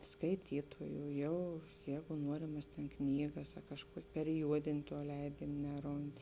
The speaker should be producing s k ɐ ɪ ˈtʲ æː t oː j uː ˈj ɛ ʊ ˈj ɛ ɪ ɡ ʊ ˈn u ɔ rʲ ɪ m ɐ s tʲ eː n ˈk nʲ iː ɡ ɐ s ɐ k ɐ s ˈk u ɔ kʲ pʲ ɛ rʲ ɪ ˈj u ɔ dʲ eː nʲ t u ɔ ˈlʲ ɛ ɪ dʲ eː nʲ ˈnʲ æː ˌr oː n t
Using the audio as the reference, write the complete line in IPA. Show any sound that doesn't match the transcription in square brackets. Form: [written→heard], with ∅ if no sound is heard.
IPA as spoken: s k ɐ ɪ ˈtʲ [æː→iː] t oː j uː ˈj ɛ ʊ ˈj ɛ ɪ ɡ ʊ ˈn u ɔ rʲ ɪ m ɐ s tʲ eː n ˈk nʲ iː ɡ ɐ s ɐ k ɐ [s→ʃ] ˈk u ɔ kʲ pʲ ɛ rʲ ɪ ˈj u ɔ dʲ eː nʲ t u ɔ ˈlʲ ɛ ɪ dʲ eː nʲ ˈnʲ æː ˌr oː n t

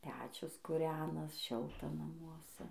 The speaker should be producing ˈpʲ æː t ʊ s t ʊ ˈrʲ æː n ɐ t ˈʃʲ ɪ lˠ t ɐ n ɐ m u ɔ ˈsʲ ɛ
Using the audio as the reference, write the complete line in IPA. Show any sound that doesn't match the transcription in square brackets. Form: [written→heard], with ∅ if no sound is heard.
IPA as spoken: ˈpʲ æː [t→t͡ʃʲ] ʊ s [t→k] ʊ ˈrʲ æː n ɐ [t→s] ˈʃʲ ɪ lˠ t ɐ n ɐ m u ɔ ˈsʲ ɛ

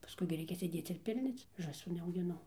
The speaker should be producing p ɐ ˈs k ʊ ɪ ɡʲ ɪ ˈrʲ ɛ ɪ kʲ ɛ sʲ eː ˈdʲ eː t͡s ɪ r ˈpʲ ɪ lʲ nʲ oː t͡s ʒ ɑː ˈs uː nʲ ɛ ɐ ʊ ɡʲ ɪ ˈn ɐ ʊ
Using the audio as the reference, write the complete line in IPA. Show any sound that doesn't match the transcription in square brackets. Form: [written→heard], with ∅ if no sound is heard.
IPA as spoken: p ɐ ˈs k ʊ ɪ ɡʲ ɪ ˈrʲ ɛ ɪ kʲ ɛ sʲ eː ˈdʲ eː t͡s ɪ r ˈpʲ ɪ lʲ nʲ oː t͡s ʒ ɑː ˈs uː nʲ ɛ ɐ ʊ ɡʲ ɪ ˈn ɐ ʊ

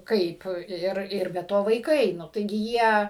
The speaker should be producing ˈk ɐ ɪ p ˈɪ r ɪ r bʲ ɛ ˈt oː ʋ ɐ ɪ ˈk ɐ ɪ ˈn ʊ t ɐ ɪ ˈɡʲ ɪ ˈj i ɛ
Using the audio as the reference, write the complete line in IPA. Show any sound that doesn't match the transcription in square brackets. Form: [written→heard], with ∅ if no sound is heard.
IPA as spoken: ˈk ɐ ɪ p ˈɪ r ɪ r bʲ ɛ ˈt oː ʋ ɐ ɪ ˈk ɐ ɪ ˈn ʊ t ɐ ɪ ˈɡʲ ɪ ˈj i ɛ

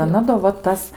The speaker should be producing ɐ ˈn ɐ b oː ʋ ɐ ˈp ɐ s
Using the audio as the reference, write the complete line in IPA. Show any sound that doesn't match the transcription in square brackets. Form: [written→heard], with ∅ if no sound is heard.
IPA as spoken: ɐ ˈn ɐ [b→d] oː ʋ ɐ [ˈp→ˈt] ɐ s

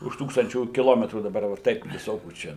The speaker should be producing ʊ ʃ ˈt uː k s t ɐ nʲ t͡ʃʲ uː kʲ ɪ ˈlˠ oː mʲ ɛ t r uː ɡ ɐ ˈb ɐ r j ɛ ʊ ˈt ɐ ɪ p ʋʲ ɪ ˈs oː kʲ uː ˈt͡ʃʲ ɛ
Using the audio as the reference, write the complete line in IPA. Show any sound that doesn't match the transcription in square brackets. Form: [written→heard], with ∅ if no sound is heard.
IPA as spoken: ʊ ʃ ˈt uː k s t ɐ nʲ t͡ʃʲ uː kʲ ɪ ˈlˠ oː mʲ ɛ t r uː [ɡ→d] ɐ ˈb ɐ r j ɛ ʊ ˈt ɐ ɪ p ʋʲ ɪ ˈs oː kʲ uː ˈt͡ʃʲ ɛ

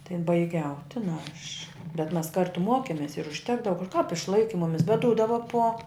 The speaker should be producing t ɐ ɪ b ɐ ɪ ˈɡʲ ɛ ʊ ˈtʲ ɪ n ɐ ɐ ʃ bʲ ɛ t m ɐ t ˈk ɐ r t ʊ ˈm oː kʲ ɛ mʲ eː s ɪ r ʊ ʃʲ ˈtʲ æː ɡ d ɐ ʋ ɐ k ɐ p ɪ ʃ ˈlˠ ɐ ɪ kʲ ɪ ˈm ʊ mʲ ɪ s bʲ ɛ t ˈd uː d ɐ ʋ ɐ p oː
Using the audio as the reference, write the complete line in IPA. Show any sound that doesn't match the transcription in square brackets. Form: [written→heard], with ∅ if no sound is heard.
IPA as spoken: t ɐ ɪ b ɐ ɪ ˈɡʲ ɛ ʊ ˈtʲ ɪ n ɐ ɐ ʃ bʲ ɛ t m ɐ [t→s] ˈk ɐ r t ʊ ˈm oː kʲ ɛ mʲ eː s ɪ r ʊ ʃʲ ˈtʲ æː ɡ d ɐ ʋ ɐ k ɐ p ɪ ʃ ˈlˠ ɐ ɪ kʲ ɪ ˈm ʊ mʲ ɪ s bʲ ɛ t ˈd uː d ɐ ʋ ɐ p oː

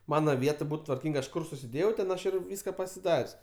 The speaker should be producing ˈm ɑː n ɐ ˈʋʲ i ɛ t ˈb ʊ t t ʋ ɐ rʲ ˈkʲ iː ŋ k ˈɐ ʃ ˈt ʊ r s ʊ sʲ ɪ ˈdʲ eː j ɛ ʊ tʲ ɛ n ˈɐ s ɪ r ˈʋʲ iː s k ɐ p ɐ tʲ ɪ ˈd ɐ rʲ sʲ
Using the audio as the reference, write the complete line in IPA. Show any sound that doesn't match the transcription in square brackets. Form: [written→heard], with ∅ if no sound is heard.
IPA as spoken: ˈm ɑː n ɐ ˈʋʲ i ɛ t ˈb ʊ t t ʋ ɐ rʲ ˈkʲ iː ŋ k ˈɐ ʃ [ˈt→ˈk] ʊ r s ʊ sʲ ɪ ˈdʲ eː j ɛ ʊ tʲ ɛ n ˈɐ [s→ʃ] ɪ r ˈʋʲ iː s k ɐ p ɐ [tʲ→sʲ] ɪ ˈd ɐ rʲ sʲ

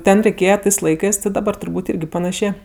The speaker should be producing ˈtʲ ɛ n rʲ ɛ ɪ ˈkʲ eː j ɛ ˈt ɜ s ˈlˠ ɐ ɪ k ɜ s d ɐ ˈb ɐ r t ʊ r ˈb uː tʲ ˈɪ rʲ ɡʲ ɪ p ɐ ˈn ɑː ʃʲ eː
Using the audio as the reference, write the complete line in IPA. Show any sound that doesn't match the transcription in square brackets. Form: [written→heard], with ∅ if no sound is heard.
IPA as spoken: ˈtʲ ɛ n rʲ ɛ ɪ ˈkʲ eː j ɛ ˈt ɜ s ˈlˠ ɐ ɪ k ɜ s d ɐ ˈb ɐ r t ʊ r ˈb uː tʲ ˈɪ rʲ ɡʲ ɪ p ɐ ˈn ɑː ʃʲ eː

